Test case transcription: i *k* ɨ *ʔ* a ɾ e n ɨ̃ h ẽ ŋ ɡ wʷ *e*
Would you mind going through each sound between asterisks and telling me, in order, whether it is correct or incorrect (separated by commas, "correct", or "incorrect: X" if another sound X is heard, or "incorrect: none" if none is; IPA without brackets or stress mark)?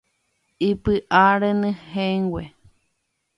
incorrect: p, correct, correct